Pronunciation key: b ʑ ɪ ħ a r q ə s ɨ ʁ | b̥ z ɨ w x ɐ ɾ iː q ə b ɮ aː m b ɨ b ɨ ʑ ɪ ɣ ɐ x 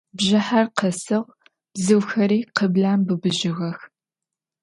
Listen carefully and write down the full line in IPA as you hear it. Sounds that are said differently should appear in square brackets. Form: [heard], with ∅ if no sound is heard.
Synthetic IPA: b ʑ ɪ ħ a r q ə s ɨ ʁ | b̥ z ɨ w x ɐ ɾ iː q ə b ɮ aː m b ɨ b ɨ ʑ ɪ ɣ ɐ x

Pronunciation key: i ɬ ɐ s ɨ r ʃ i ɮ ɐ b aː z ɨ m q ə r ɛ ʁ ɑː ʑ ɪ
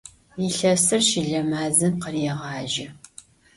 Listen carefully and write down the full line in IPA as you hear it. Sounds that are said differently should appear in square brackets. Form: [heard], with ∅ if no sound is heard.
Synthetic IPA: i ɬ ɐ s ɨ r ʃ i ɮ ɐ [m] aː z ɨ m q ə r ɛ ʁ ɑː [ʒ] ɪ

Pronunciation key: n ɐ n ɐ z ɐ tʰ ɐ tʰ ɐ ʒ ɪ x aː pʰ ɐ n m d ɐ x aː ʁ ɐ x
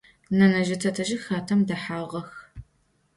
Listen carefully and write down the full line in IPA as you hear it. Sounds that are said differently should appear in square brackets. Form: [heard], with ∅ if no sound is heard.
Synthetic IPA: n ɐ n ɐ [ʒ] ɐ tʰ ɐ tʰ ɐ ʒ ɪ x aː [tʰ] ɐ [∅] m d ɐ [ħ] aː ʁ ɐ x

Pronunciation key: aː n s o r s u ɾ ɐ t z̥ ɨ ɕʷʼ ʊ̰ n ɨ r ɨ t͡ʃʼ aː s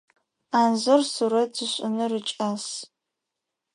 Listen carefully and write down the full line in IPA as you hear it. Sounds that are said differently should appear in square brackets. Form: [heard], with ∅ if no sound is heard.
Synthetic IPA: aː n [z] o r s u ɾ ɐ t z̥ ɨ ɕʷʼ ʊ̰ n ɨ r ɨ t͡ʃʼ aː s

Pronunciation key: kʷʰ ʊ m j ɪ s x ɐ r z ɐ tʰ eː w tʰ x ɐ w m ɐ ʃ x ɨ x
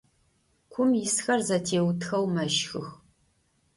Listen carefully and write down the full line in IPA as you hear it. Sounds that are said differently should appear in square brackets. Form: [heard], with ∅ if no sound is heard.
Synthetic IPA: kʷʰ ʊ m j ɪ s x ɐ r z ɐ tʰ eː w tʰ x ɐ w m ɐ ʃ x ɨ x

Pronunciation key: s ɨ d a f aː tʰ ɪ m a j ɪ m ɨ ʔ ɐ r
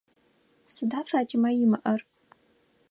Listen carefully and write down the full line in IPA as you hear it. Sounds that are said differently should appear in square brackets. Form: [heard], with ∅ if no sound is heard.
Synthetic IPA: s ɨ d a f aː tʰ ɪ m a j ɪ m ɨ ʔ ɐ r

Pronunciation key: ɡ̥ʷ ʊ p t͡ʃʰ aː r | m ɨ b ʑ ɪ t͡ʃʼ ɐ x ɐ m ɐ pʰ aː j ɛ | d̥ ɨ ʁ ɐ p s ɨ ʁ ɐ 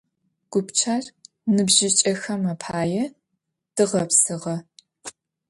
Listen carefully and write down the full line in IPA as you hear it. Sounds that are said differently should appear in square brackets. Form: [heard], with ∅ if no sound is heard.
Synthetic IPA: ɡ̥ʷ ʊ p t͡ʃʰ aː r | [n] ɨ b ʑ ɪ t͡ʃʼ ɐ x ɐ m ɐ pʰ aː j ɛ | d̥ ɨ ʁ ɐ p s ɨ ʁ ɐ

